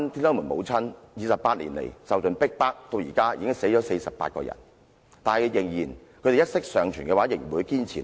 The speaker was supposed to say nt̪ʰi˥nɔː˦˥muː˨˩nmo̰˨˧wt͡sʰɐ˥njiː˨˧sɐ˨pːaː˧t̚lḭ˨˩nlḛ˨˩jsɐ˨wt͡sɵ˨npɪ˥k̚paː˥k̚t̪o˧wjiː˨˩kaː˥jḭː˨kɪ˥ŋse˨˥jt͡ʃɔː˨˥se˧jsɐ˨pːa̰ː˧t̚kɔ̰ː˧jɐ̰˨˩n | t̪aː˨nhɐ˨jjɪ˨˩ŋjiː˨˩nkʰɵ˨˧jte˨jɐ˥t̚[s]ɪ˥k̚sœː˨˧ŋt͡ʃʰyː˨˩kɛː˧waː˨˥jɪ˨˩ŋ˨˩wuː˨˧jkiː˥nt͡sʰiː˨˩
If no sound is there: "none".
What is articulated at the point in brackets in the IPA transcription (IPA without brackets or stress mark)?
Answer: s